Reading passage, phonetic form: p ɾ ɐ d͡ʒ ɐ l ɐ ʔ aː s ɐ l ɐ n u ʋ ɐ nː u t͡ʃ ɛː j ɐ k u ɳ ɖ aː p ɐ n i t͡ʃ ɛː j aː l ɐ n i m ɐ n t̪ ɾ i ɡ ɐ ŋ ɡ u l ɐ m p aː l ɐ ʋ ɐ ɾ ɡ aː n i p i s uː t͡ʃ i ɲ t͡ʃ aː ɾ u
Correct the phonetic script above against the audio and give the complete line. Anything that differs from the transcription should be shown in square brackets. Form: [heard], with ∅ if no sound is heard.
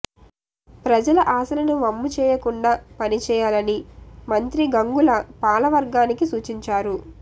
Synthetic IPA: p ɾ ɐ d͡ʒ ɐ l ɐ ʔ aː s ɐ l ɐ n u ʋ ɐ [mː] u t͡ʃ ɛː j ɐ k u ɳ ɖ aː p ɐ n i t͡ʃ ɛː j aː l ɐ n i m ɐ n t̪ ɾ i ɡ ɐ ŋ ɡ u l ɐ [∅] p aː l ɐ ʋ ɐ ɾ ɡ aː n i [k] i s uː t͡ʃ i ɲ t͡ʃ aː ɾ u